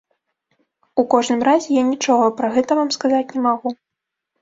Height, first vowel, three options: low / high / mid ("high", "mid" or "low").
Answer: high